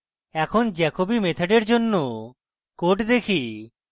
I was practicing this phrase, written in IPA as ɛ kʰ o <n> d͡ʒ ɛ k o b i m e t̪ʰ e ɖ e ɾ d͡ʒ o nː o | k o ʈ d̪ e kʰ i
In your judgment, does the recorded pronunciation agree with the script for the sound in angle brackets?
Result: yes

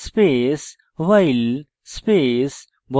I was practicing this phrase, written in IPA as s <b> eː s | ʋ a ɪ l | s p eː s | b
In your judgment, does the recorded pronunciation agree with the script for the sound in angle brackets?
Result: no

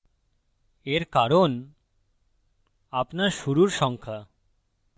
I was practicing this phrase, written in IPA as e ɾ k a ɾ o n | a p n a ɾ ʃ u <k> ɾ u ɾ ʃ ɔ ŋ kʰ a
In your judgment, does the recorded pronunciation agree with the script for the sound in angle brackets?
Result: no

